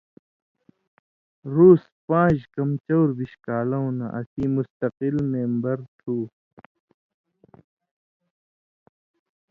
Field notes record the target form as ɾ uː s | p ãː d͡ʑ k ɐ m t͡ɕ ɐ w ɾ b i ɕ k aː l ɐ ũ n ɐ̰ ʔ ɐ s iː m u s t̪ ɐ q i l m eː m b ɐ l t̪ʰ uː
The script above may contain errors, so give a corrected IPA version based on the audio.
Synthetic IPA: ɾ uː s | p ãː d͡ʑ k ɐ m t͡ɕ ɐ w ɾ b i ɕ k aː l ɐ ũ n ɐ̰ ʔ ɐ s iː m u s t̪ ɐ q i l m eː m b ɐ ɾ t̪ʰ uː